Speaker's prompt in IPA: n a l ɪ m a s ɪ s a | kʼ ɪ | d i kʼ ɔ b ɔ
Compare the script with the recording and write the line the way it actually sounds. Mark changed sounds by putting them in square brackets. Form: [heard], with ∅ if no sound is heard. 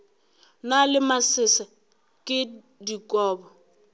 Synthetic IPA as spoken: n a l ɪ m a s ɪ s a | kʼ ɪ | d i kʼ [ɔː] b ɔ